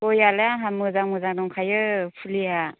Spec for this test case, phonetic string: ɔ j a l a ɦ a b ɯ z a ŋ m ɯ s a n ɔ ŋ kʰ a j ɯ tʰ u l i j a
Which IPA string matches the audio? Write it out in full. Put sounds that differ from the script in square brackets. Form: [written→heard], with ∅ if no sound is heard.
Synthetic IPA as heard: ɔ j a l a ɦ a [b→m] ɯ z a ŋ m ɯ [s→z] a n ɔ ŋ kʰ a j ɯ [tʰ→pʰ] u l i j a

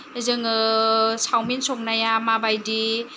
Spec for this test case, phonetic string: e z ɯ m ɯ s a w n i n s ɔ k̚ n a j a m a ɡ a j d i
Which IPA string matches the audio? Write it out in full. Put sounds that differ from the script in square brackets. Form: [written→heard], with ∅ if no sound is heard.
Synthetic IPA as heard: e z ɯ [m→ŋ] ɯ s a w [n→m] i n s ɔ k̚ n a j a m a [ɡ→b] a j d i

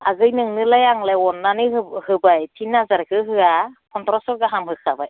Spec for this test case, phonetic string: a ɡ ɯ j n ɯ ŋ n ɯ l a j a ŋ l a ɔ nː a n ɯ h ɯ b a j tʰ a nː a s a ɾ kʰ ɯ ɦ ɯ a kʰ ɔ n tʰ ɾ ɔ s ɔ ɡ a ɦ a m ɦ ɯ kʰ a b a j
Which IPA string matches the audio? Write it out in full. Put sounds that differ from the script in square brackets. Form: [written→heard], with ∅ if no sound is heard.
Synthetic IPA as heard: a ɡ ɯ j n ɯ ŋ n ɯ l a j a ŋ l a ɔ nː a n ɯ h ɯ b a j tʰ [a→i] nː a [s→z] a ɾ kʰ ɯ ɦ ɯ a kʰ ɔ n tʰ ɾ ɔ s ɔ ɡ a ɦ a m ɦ ɯ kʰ a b a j

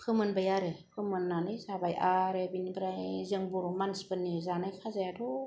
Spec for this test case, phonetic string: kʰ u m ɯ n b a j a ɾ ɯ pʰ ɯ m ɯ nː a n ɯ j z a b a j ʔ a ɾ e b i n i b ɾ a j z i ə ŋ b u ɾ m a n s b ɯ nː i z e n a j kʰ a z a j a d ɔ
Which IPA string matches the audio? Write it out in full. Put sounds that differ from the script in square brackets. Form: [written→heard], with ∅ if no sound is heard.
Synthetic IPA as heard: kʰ [u→ɯ] m ɯ n b a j a ɾ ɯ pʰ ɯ m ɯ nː a n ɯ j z a b a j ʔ a ɾ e b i n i b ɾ a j z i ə ŋ b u ɾ m a n s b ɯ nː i z [e→a] n a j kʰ a z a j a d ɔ

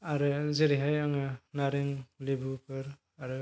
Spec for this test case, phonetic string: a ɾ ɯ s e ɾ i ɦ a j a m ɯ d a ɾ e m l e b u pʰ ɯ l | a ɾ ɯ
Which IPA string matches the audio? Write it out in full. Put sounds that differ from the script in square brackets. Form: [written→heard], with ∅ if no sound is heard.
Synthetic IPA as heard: a ɾ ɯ [s→z] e ɾ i ɦ a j a [m→ŋ] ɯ [d→n] a ɾ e [m→ŋ] l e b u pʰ ɯ [l→ɾ] | a ɾ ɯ

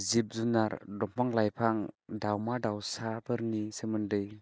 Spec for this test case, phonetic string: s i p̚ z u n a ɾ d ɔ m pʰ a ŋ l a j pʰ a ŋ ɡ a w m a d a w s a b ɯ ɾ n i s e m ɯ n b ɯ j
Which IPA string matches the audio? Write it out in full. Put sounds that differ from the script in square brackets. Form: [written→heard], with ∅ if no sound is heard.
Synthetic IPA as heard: [s→z] i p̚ z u n a ɾ d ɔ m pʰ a ŋ l a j pʰ a ŋ [ɡ→d] a w m a d a w s a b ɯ ɾ n i s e m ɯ n [b→d] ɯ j

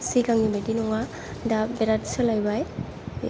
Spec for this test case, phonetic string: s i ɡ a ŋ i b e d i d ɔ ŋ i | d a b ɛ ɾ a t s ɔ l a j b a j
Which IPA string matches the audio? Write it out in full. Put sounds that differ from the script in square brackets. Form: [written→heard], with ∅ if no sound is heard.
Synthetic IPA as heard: s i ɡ a ŋ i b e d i [d→n] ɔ ŋ [i→a] | d a b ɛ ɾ a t s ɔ l a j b a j

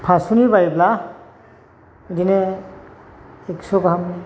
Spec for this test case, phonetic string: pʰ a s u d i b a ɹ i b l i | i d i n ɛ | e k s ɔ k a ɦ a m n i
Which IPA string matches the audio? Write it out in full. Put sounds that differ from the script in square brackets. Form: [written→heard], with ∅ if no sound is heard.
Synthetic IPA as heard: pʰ a s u [d→n] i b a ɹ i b l [i→a] | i d i n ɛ | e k s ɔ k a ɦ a m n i

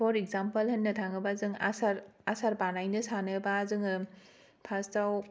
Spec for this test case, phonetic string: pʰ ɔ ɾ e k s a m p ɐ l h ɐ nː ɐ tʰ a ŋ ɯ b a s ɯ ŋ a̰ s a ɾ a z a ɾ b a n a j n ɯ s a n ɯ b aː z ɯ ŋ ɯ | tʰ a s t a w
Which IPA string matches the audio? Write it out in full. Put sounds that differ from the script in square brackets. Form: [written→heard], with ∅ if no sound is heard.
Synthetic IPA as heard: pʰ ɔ ɾ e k [s→z] a m p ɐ l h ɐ nː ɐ tʰ a ŋ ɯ b a [s→z] ɯ ŋ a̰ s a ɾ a [z→s] a ɾ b a n a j n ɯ s a n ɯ b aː z ɯ ŋ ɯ | [tʰ→pʰ] a s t a w

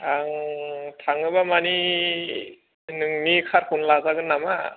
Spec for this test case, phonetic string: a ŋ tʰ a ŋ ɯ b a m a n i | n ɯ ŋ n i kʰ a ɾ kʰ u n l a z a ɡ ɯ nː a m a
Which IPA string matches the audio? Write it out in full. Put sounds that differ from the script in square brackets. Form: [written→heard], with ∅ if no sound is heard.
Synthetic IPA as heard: a ŋ tʰ a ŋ ɯ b a m a n i | n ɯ ŋ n i kʰ a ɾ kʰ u n l a z a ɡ ɯ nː a m a

